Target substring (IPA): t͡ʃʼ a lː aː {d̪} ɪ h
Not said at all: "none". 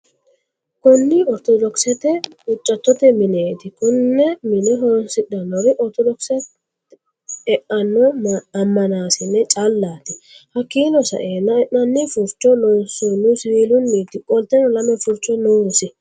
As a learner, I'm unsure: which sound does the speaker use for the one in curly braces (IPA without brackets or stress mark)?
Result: t̪